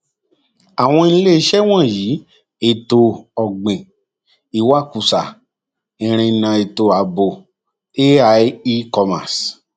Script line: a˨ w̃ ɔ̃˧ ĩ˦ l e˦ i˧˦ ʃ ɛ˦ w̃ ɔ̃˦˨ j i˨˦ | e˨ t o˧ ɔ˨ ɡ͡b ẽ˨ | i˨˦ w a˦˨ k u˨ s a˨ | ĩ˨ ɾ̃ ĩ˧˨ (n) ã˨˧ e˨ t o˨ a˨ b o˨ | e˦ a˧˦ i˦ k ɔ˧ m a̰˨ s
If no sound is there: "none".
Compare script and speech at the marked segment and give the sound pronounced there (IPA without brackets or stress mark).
n